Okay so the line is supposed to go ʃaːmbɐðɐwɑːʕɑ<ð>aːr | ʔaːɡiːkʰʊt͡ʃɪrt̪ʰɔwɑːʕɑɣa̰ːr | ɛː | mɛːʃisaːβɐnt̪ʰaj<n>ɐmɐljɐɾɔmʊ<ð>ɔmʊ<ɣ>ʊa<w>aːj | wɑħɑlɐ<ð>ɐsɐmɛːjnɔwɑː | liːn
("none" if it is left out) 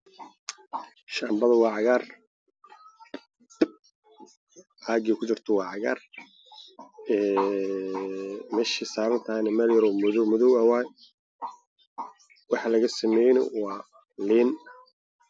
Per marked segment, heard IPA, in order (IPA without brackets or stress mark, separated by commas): ɣ, n, ð, ð, w, ɣ